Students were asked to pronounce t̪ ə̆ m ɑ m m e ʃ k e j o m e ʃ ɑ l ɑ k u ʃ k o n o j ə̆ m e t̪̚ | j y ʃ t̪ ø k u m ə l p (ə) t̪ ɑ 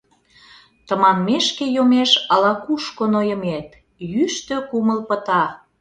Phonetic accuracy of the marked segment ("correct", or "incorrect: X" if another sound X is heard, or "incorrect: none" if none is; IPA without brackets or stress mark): correct